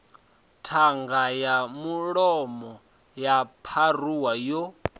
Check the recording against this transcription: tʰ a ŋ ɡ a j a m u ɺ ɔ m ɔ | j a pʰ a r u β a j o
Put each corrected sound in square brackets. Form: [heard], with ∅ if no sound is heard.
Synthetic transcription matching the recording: tʰ a ŋ ɡ a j a m u ɺ ɔ m ɔ | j a pʰ a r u [w] a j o